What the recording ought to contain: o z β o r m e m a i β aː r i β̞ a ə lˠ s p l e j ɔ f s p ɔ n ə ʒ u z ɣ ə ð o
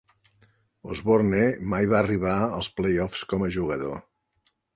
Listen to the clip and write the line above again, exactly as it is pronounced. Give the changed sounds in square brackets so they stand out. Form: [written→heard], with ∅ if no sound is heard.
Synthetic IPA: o z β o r [m→n] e m a [i→j] β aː r i β̞ a ə lˠ s p l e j ɔ f s [p→k] ɔ [n→m] ə ʒ u [z→∅] ɣ ə ð o